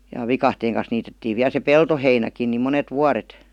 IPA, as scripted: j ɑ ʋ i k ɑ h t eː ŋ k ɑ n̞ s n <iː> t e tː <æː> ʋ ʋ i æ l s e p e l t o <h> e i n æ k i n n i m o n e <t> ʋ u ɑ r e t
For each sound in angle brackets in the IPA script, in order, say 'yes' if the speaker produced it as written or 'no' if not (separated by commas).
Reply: yes, no, yes, yes